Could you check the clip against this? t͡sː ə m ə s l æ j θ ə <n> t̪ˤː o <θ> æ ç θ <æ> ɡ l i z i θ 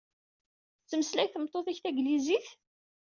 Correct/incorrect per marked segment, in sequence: incorrect, correct, correct

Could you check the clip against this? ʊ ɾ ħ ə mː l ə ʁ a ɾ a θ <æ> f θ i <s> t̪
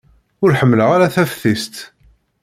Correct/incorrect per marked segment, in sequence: correct, correct

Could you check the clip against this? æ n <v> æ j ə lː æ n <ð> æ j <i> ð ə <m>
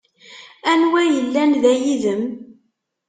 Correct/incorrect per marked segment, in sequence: incorrect, correct, correct, correct

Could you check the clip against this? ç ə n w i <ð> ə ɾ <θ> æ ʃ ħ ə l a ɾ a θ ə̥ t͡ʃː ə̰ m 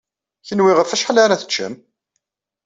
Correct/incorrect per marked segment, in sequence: incorrect, incorrect

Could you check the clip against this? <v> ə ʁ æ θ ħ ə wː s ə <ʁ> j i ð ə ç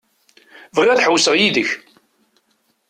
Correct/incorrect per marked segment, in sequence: correct, correct

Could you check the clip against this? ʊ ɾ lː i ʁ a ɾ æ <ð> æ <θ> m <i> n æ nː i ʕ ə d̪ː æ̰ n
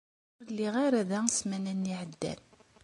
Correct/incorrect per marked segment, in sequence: correct, incorrect, incorrect

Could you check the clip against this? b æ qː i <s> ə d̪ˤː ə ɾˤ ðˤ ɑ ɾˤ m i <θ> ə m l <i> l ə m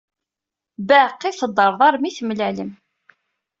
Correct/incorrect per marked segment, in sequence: incorrect, correct, incorrect

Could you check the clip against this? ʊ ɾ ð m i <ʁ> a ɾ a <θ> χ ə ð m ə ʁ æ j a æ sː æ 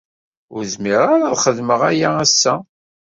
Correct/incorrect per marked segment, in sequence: correct, incorrect

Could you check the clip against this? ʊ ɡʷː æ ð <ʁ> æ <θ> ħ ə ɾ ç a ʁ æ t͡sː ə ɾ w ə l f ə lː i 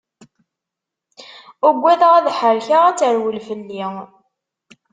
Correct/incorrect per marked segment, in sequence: correct, incorrect

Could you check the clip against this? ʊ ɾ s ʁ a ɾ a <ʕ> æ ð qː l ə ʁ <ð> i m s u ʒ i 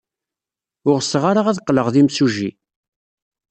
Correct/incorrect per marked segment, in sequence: incorrect, correct

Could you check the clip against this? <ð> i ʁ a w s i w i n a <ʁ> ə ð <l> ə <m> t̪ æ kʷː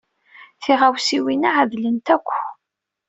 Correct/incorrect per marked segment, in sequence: incorrect, incorrect, correct, incorrect

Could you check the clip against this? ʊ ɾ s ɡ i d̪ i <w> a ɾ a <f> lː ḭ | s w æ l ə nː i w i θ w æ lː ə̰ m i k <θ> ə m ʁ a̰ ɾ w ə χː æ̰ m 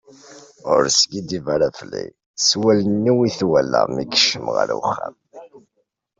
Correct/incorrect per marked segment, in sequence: incorrect, correct, incorrect

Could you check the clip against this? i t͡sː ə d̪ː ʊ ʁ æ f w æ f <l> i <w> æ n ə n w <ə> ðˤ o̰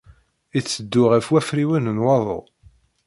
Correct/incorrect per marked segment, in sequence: incorrect, correct, incorrect

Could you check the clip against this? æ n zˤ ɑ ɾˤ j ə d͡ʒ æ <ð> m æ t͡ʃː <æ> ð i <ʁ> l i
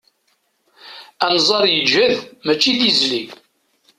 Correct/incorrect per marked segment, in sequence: correct, incorrect, incorrect

